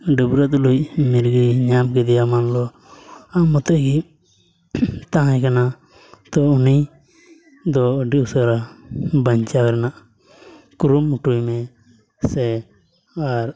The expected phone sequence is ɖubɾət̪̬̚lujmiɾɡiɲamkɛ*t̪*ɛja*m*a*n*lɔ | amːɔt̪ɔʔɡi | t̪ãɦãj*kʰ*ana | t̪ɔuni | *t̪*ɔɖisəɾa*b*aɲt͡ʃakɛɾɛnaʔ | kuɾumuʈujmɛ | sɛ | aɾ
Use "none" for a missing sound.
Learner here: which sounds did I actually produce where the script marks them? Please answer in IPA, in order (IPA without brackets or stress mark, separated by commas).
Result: d̪, m, n, k, d̪, b